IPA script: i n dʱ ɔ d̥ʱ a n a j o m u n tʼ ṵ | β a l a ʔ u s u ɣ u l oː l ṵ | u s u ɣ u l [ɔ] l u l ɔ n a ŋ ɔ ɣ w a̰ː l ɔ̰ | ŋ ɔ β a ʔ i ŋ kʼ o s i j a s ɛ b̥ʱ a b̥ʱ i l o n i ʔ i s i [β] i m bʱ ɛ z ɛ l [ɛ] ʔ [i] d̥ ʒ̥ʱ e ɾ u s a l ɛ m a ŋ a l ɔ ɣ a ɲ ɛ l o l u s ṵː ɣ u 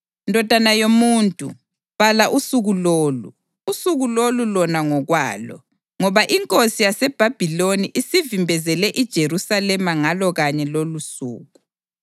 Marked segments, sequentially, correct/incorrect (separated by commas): incorrect, incorrect, correct, correct